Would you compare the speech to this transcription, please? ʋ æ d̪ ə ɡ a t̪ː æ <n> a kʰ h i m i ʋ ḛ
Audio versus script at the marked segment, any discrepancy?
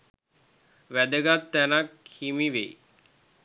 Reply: no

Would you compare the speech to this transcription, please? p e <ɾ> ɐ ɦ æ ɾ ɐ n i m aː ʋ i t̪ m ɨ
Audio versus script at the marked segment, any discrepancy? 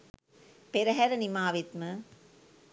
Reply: no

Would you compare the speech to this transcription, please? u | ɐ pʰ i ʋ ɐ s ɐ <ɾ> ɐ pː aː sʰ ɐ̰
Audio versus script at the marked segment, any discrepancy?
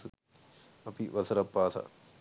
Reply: no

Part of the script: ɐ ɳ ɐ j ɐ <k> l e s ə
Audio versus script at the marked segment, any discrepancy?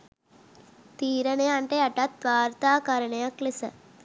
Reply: no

